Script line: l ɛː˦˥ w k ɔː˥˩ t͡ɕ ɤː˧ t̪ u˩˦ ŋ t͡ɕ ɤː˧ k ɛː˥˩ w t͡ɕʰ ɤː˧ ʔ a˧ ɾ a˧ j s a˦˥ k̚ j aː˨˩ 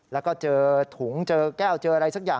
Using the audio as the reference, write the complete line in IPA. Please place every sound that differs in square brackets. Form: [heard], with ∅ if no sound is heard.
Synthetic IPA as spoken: l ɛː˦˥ w k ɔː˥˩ t͡ɕ ɤː˧ [t̪ʰ] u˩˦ ŋ t͡ɕ ɤː˧ k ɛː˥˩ w [t͡ɕ] ɤː˧ ʔ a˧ ɾ a˧ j s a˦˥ k̚ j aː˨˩

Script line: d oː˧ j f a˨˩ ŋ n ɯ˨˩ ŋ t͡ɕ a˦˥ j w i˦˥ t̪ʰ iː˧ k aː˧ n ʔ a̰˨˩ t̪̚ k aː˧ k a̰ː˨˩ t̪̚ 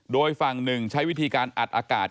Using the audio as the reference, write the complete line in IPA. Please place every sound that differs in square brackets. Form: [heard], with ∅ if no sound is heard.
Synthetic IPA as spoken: d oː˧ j f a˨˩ ŋ n ɯ˨˩ ŋ [t͡ɕʰ] a˦˥ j w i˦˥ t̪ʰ iː˧ k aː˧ n ʔ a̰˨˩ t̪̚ [ʔ] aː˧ k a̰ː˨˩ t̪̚

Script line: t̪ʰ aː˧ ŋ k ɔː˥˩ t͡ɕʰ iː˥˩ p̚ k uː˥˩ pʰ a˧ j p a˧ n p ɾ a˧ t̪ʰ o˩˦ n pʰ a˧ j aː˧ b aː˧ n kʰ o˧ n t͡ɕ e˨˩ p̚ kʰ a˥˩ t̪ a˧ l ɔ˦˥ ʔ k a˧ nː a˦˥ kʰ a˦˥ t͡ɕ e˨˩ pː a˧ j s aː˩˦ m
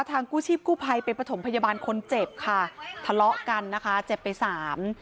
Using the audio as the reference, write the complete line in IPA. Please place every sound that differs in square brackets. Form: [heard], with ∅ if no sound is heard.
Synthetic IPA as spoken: t̪ʰ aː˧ ŋ k [uː˥˩] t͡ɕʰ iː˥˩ p̚ k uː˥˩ pʰ a˧ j p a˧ n p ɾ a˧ t̪ʰ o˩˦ [m] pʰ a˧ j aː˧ b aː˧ n kʰ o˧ n t͡ɕ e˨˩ p̚ kʰ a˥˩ [t̪ʰ] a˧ l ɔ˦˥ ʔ k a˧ nː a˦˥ kʰ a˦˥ t͡ɕ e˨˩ pː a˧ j s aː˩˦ m

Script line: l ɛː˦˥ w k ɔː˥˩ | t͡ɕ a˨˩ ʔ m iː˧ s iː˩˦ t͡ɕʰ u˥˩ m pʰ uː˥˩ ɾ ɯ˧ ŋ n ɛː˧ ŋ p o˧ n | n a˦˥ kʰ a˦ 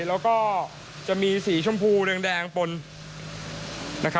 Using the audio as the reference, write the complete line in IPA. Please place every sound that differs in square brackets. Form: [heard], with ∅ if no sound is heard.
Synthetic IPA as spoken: l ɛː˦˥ w k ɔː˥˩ | t͡ɕ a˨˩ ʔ m iː˧ s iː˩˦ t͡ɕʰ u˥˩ m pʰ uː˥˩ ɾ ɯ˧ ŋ [d] ɛː˧ ŋ p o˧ n | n a˦˥ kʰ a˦

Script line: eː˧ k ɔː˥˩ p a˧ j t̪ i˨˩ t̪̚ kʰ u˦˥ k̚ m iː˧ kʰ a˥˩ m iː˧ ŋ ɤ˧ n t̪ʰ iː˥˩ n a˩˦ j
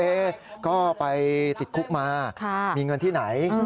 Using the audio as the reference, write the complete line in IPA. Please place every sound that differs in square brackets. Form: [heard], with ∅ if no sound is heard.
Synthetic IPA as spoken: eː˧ k ɔː˥˩ p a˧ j t̪ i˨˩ t̪̚ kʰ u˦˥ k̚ m [aː˧] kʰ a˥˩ m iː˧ ŋ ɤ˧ n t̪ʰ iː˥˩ n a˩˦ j

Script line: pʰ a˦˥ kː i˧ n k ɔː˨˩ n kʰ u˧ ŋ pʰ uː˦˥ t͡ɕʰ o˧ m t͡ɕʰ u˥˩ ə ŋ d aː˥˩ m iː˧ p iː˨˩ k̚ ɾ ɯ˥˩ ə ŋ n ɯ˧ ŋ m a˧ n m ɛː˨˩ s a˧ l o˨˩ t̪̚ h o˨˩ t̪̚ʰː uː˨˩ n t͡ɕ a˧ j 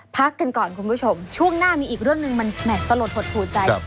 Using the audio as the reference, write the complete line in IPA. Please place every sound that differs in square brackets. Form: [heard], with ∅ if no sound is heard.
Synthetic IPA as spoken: pʰ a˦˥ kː [a˧] n k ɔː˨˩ n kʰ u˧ [n] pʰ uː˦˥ t͡ɕʰ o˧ m t͡ɕʰ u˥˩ ə ŋ [n] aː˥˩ m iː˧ [ʔ] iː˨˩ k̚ ɾ ɯ˥˩ ə ŋ n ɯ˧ ŋ m a˧ n m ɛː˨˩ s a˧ l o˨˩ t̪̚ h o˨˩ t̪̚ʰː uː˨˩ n t͡ɕ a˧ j

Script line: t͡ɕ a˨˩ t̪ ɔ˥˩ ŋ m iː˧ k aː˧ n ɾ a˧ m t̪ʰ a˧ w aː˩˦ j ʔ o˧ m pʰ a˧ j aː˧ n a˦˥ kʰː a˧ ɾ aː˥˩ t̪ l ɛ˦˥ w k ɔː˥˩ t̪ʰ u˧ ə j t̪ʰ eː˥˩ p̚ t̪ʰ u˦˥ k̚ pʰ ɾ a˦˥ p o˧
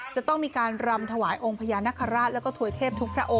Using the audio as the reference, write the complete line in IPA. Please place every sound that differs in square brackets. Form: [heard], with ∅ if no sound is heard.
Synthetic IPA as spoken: t͡ɕ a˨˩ t̪ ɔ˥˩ ŋ m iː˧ k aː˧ n ɾ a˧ m t̪ʰ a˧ w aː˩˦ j ʔ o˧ [ŋ] pʰ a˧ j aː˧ n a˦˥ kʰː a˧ ɾ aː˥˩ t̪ l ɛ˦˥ w k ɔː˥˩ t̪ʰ u˧ ə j t̪ʰ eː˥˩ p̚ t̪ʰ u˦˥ k̚ pʰ ɾ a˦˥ [ʔ] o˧

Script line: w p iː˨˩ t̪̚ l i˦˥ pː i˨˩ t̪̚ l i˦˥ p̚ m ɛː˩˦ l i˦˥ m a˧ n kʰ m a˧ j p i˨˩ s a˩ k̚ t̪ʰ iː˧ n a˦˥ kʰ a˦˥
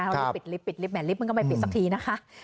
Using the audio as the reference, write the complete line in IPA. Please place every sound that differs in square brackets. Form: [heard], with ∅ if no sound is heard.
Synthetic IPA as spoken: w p [i˨˩] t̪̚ l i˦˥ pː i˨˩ t̪̚ l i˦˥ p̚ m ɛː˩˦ l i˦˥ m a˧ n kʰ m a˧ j p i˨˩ s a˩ k̚ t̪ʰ iː˧ n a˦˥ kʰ a˦˥

